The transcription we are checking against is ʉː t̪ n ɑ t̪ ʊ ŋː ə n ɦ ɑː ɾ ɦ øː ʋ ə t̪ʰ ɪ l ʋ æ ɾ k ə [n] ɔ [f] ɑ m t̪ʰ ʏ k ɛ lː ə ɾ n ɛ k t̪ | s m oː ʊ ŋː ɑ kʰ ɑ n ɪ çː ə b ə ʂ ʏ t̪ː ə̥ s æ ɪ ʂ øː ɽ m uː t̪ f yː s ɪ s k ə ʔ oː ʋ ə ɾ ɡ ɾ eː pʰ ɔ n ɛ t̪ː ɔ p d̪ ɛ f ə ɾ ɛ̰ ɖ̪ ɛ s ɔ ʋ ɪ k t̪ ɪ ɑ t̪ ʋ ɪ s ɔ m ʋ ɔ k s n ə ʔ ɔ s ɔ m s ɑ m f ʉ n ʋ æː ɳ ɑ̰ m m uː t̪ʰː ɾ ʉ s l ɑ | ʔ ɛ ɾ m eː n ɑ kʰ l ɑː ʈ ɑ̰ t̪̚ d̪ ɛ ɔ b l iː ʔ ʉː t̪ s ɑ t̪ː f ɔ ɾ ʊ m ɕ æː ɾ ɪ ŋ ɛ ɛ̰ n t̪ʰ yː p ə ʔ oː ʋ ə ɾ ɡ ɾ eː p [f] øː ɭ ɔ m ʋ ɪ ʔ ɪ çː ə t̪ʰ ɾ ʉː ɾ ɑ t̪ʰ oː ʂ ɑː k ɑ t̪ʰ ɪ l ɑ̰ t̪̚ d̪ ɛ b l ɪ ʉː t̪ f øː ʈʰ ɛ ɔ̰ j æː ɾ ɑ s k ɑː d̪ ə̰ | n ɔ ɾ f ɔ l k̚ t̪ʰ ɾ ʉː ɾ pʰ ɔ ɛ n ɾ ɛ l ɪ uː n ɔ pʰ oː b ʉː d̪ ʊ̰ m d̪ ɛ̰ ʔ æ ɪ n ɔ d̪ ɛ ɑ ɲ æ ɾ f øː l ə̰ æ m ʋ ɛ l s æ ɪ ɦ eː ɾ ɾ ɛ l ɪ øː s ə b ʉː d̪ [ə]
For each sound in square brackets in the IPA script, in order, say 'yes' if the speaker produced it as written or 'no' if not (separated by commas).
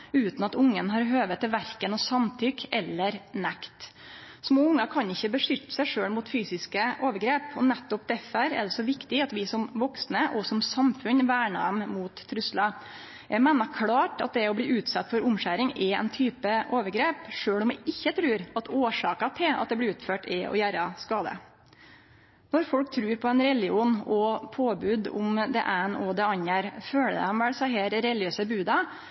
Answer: yes, no, no, no